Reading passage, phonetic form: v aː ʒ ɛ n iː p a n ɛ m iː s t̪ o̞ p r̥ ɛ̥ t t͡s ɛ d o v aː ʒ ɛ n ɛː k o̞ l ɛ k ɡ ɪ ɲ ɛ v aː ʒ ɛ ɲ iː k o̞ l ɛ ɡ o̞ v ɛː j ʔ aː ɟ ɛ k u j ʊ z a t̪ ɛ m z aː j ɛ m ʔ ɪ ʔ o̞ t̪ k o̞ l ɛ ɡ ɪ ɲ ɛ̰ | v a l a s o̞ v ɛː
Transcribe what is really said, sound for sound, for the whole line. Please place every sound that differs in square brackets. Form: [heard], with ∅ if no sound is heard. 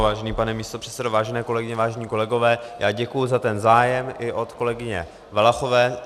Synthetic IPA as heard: v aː ʒ ɛ n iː p a n ɛ m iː s t̪ o̞ p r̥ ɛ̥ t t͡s ɛ d o v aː ʒ ɛ n ɛː k o̞ l ɛ [∅] ɡ ɪ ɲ ɛ v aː ʒ ɛ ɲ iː k o̞ l ɛ ɡ o̞ v ɛː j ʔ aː ɟ ɛ k u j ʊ z a t̪ ɛ [n] z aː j ɛ m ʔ ɪ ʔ o̞ t̪ k o̞ l ɛ ɡ ɪ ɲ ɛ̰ | v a l a [x] o̞ v ɛː